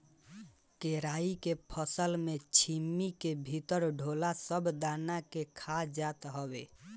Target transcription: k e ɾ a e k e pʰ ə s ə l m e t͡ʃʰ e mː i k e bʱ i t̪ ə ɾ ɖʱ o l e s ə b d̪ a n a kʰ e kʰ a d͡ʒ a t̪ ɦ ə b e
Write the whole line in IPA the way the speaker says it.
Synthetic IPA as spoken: k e ɾ a i k e pʰ ə s ə l m e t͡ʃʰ i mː i k e bʱ i t̪ ə ɾ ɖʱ o l a s ə b d̪ a n a k e kʰ a d͡ʒ a t̪ ɦ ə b e